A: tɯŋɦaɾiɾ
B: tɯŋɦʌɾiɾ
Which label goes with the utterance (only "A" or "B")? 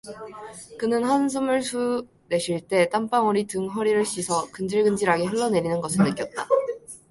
B